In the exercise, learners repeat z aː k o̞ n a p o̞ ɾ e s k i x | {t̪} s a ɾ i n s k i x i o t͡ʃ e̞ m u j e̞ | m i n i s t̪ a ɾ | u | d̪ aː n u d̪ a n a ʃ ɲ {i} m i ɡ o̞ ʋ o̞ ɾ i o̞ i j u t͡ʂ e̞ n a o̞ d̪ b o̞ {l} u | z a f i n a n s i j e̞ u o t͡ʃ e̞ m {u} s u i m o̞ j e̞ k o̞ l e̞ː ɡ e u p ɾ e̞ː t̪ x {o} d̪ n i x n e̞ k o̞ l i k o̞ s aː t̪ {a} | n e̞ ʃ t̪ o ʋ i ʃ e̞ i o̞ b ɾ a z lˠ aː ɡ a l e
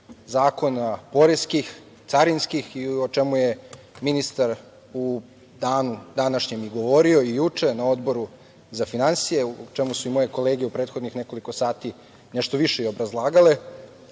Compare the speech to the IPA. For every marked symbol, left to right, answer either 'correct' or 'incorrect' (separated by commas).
correct, incorrect, incorrect, correct, correct, incorrect